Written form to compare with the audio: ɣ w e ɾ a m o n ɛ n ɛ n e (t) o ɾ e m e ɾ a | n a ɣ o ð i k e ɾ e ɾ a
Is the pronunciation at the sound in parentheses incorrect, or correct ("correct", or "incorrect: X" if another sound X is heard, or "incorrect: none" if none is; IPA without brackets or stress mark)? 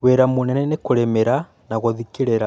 incorrect: k